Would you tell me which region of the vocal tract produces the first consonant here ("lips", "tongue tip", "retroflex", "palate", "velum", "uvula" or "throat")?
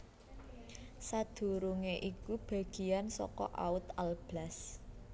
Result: tongue tip